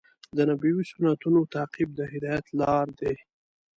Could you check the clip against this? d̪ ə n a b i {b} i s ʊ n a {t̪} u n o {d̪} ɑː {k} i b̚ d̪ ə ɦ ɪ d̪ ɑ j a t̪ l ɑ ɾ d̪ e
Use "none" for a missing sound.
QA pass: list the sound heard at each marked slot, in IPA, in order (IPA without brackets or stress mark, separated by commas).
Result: w, t̪, t̪, q